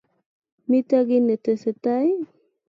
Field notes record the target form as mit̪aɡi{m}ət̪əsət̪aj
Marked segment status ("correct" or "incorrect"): incorrect